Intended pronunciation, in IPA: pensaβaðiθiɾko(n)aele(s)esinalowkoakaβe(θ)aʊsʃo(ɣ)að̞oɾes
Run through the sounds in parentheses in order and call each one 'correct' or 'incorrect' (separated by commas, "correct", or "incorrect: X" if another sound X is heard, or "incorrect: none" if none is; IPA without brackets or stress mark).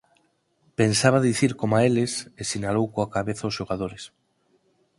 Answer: incorrect: m, correct, correct, correct